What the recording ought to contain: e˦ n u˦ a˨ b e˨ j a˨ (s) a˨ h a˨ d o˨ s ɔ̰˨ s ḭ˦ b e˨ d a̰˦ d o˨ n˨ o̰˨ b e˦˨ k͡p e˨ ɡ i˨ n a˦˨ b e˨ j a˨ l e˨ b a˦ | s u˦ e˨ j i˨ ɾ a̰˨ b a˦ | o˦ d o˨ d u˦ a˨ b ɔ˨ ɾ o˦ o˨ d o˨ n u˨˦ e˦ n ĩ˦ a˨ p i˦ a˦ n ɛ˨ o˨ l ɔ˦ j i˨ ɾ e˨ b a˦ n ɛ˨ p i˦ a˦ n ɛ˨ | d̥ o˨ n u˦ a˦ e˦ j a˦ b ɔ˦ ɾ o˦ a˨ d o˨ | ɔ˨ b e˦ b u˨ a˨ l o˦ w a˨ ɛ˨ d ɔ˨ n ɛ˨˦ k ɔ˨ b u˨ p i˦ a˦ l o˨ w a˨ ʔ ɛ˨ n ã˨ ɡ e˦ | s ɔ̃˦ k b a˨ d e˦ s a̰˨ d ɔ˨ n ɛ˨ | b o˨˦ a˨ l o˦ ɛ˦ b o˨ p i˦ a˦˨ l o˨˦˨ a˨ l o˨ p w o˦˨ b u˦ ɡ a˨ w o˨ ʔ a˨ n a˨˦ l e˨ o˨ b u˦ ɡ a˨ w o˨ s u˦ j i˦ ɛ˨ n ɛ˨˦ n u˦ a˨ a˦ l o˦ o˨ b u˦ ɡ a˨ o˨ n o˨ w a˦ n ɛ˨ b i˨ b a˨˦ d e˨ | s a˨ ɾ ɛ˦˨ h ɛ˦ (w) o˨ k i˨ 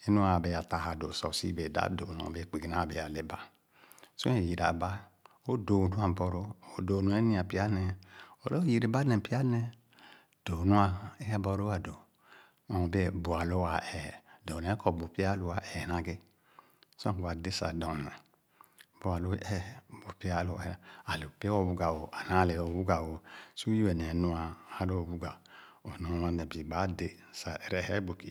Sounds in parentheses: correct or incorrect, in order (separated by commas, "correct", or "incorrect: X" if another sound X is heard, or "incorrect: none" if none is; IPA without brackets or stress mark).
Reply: incorrect: t, incorrect: b